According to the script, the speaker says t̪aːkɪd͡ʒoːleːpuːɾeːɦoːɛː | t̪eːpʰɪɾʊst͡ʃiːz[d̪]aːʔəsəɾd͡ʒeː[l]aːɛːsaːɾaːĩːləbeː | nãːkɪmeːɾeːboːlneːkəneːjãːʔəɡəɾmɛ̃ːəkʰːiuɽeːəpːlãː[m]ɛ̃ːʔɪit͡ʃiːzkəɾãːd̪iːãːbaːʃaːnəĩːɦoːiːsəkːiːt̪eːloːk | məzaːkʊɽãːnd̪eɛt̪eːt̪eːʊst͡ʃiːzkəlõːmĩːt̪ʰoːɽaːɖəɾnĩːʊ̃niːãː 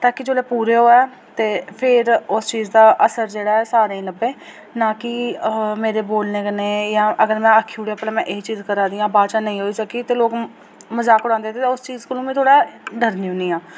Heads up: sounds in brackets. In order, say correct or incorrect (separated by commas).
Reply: correct, incorrect, correct